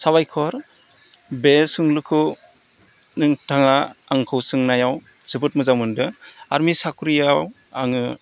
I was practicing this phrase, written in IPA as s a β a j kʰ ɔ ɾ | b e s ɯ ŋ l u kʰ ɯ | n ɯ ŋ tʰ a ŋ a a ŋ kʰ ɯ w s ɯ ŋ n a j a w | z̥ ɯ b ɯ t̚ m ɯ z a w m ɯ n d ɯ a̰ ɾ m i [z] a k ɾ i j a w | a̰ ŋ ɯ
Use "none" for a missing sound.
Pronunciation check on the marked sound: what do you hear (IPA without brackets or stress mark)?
s